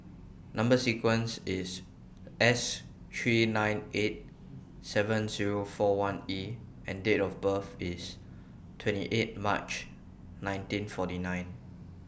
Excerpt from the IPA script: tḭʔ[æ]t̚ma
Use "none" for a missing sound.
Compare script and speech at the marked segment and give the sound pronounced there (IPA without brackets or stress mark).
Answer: e